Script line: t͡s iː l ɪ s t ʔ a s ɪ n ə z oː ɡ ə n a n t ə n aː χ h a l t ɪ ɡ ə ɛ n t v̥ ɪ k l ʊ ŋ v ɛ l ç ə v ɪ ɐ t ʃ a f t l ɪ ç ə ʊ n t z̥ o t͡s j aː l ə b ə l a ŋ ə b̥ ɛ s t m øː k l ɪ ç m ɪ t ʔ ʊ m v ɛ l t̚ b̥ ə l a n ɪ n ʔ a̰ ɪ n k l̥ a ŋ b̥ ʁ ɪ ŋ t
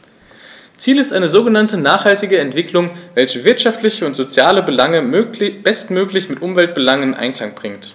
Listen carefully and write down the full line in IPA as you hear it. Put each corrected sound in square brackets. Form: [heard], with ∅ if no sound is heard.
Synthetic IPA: t͡s iː l ɪ s t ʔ a [∅] ɪ n ə z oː ɡ ə n a n t ə n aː χ h a l t ɪ ɡ ə ɛ n t v̥ ɪ k l ʊ ŋ v ɛ l ç ə v ɪ ɐ t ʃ a f t l ɪ ç ə ʊ n t z̥ o t͡s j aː l ə b ə l a ŋ ə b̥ ɛ s t m øː k l ɪ ç m ɪ t ʔ ʊ m v ɛ l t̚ b̥ ə l a [ŋ] ɪ n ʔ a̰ ɪ n k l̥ a ŋ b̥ ʁ ɪ ŋ t